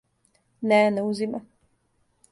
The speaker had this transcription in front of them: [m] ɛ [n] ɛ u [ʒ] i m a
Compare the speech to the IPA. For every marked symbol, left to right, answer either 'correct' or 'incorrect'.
incorrect: n, correct, incorrect: z

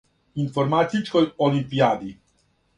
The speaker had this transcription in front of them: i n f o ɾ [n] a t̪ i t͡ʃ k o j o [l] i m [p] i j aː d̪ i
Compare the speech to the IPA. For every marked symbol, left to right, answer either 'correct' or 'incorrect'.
incorrect: m, correct, correct

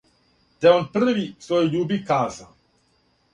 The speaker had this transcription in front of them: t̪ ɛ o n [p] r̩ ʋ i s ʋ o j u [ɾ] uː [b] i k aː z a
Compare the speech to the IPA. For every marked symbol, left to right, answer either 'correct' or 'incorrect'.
correct, incorrect: ʎ, correct

